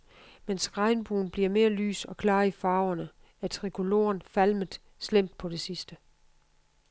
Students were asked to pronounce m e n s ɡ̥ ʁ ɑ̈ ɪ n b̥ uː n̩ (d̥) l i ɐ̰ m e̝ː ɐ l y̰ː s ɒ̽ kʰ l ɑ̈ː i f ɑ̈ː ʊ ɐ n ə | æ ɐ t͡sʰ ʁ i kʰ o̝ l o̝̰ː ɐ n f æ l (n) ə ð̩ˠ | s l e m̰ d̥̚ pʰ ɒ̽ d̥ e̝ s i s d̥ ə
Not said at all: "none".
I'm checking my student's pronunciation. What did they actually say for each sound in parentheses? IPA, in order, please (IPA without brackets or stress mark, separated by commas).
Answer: b̥, m